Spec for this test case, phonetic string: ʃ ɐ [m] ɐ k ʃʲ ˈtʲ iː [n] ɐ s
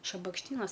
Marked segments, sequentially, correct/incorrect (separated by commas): incorrect, correct